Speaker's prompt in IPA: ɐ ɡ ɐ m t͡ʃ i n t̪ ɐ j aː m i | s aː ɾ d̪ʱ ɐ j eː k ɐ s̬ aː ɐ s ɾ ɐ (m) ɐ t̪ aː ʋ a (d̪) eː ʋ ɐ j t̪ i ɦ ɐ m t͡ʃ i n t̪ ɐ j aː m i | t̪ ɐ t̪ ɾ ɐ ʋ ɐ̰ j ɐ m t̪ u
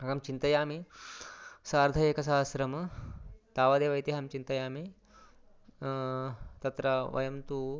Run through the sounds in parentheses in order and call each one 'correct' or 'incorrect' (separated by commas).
correct, correct